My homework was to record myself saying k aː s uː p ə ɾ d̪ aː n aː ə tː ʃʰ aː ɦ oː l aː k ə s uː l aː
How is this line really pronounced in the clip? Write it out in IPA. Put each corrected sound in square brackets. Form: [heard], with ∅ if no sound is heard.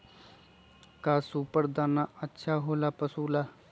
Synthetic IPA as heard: k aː s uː p ə ɾ d̪ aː n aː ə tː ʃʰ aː ɦ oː l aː [p] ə s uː l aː